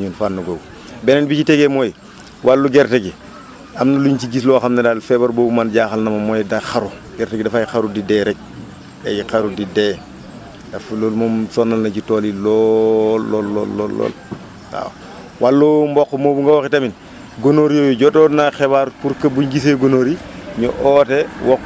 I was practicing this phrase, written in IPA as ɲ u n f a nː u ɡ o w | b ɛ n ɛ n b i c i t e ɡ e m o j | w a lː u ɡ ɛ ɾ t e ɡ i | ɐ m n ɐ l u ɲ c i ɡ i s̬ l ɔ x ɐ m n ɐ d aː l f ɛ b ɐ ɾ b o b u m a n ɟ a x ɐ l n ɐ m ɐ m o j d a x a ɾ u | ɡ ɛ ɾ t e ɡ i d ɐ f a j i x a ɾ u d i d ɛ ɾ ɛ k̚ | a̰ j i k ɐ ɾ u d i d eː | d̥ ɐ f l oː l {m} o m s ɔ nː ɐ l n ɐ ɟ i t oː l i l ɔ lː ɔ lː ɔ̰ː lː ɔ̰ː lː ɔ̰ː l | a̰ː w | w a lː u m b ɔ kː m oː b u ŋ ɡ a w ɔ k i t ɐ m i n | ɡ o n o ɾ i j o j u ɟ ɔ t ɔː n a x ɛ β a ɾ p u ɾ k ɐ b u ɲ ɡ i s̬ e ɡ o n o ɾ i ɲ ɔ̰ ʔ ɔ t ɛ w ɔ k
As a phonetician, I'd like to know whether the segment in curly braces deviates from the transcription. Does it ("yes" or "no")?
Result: no